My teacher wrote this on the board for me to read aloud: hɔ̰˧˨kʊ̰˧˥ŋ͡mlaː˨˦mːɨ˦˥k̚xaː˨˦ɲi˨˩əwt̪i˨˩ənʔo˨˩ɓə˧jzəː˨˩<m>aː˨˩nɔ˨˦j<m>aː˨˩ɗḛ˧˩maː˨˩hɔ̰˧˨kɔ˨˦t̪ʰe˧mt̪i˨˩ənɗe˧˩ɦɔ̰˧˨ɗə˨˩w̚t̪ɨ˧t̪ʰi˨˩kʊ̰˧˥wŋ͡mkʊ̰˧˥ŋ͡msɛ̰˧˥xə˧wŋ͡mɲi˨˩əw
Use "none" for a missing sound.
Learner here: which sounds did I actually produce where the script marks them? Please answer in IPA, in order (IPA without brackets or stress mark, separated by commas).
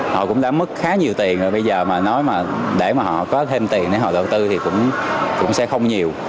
m, m